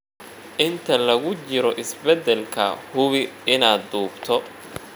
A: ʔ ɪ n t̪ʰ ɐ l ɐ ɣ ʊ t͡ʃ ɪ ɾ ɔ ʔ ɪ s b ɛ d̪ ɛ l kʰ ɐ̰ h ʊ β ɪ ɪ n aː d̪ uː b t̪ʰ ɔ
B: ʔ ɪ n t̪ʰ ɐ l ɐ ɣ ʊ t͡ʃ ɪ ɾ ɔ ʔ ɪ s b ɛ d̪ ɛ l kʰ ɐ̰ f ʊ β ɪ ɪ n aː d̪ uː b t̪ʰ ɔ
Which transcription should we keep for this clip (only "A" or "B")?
A